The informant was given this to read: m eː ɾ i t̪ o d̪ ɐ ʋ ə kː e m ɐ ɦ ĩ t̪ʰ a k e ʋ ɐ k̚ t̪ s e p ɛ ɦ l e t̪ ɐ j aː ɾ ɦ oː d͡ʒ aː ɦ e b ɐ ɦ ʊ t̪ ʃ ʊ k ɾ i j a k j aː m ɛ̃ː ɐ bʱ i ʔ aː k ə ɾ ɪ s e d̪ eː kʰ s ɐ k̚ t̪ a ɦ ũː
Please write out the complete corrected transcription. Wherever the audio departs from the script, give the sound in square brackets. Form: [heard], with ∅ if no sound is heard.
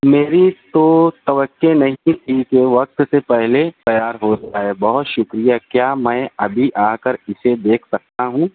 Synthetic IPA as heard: m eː ɾ i t̪ o [t̪] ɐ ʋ ə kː e [n] ɐ ɦ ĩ t̪ʰ [i] k e ʋ ɐ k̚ t̪ s e p ɛ ɦ l e t̪ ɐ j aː ɾ ɦ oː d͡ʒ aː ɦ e b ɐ ɦ ʊ t̪ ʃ ʊ k ɾ i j a k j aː m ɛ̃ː ɐ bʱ i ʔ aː k ə ɾ ɪ s e d̪ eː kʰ s ɐ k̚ t̪ a ɦ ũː

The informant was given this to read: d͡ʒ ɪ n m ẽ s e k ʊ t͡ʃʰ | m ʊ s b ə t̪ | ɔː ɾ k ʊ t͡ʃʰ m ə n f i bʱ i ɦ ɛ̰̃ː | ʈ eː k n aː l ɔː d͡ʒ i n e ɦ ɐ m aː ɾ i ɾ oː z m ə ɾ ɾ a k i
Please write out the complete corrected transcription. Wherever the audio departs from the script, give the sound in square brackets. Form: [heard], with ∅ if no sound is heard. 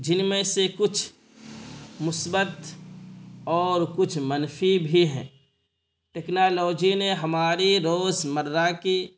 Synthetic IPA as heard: d͡ʒ ɪ n m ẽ s e k ʊ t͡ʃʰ | m ʊ s b ə t̪ | ɔː ɾ k ʊ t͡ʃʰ m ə n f i bʱ i ɦ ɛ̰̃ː | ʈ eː k n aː l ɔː d͡ʒ i n e ɦ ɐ m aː ɾ i ɾ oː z m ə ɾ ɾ a k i

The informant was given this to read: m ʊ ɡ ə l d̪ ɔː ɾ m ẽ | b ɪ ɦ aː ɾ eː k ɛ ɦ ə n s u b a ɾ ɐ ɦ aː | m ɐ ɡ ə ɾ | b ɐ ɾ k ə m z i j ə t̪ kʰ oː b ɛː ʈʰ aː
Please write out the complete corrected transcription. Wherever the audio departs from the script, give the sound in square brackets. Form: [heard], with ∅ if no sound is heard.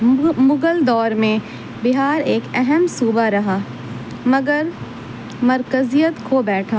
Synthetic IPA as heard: m ʊ ɡ ə l d̪ ɔː ɾ m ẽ | b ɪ ɦ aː ɾ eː k ɛ ɦ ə [m] s [uː] b a ɾ ɐ ɦ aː | m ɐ ɡ ə ɾ | [m] ɐ ɾ k ə [∅] z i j ə t̪ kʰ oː b ɛː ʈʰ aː

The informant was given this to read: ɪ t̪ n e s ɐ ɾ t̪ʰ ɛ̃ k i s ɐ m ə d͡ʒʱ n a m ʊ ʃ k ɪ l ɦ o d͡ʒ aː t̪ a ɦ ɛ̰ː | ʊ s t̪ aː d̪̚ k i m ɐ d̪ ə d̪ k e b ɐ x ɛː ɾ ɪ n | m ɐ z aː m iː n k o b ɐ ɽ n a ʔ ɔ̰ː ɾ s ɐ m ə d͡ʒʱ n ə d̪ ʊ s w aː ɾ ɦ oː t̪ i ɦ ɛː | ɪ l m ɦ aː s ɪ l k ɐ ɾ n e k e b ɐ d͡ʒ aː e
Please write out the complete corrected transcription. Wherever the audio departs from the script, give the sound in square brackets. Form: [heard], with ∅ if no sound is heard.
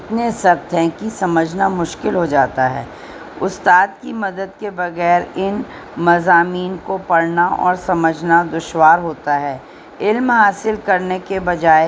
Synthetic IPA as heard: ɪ t̪ n e s ɐ ɾ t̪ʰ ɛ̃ k i s ɐ m ə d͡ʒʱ n a m ʊ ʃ k ɪ l ɦ o d͡ʒ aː t̪ a ɦ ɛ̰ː | ʊ s t̪ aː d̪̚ k i m ɐ d̪ ə d̪ k e b ɐ [ɣ] ɛː ɾ ɪ n | m ɐ z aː m iː n k o [p] ɐ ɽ n a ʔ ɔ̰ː ɾ s ɐ m ə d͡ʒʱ n [a] d̪ ʊ [ʃ] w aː ɾ ɦ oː t̪ [a] ɦ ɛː | ɪ l m ɦ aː s ɪ l k ɐ ɾ n e k e b ɐ d͡ʒ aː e

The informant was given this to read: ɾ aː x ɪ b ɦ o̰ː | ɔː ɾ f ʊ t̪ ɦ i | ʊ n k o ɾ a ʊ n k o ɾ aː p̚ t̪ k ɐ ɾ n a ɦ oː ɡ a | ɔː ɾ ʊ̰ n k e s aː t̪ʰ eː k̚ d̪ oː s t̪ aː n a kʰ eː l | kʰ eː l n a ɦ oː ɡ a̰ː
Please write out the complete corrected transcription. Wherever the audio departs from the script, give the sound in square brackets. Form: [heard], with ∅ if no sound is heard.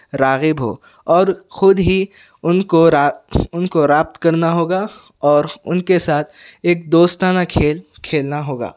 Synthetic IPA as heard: ɾ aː [ɣ] ɪ b ɦ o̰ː | ɔː ɾ [x] ʊ [d̪] ɦ i | ʊ n k o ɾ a ʊ n k o ɾ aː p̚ t̪ k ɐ ɾ n a ɦ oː ɡ a | ɔː ɾ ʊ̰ n k e s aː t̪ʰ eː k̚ d̪ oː s t̪ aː n a kʰ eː l | kʰ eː l n a ɦ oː ɡ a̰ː

